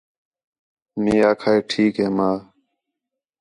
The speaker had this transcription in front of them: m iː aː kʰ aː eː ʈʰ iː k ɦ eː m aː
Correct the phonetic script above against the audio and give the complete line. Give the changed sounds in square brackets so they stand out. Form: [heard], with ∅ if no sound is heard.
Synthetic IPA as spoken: m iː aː kʰ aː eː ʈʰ iː k ɦ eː m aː